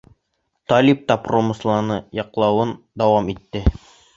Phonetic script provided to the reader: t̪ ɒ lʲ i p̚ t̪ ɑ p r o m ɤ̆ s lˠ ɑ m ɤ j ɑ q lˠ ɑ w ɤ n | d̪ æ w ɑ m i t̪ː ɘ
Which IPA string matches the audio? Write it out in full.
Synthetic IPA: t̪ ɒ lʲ i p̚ t̪ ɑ p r o m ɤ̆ s lˠ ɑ n ɤ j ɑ q lˠ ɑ w ɤ n | d̪ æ w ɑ m i t̪ː ɘ